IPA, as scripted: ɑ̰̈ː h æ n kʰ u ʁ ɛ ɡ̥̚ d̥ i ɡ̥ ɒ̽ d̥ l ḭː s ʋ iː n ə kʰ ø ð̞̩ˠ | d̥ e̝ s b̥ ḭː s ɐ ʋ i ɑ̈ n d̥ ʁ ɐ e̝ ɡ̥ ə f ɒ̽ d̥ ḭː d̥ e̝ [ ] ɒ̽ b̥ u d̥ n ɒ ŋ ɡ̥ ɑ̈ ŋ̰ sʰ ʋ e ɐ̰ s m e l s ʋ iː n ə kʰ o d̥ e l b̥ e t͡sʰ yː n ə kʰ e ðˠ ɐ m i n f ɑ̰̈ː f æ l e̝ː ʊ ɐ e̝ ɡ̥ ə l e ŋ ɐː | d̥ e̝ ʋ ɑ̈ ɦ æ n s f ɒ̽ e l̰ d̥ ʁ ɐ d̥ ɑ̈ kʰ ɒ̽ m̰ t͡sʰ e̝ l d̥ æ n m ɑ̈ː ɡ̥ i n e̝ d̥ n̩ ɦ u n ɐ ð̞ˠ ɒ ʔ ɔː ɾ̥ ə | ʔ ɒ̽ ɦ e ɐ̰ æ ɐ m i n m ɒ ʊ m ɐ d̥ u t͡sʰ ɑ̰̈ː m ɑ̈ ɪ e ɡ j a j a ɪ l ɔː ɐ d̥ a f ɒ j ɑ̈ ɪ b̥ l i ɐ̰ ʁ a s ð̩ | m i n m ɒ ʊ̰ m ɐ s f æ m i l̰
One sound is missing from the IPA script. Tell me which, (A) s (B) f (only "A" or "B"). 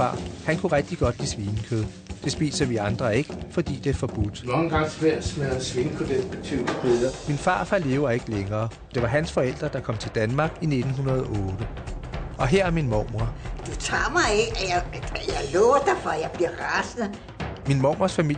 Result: B